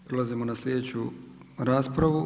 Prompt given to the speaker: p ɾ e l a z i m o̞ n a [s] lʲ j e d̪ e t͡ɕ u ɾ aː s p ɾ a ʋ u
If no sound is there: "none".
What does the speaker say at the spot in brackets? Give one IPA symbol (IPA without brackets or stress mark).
s